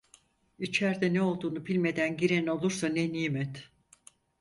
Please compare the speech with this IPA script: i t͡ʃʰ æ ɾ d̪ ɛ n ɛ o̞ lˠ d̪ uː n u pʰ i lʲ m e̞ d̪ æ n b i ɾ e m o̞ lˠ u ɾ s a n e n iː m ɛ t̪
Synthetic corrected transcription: i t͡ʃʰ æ ɾ d̪ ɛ n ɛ o̞ lˠ d̪ uː n u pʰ i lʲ m e̞ d̪ æ n ɟ i ɾ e n o̞ lˠ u ɾ s a n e n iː m ɛ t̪